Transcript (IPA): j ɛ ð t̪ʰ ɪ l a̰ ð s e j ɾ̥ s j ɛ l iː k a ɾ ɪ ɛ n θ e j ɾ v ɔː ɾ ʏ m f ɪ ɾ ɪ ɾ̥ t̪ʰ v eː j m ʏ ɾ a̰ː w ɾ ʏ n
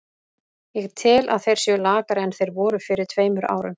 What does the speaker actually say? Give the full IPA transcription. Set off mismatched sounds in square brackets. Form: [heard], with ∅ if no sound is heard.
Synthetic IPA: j ɛ [ɣ] t̪ʰ ɪ l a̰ ð [θ] e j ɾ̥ s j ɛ l [aː] k a ɾ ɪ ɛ n θ e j ɾ v ɔː ɾ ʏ [∅] f ɪ ɾ ɪ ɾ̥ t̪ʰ v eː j m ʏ ɾ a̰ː w ɾ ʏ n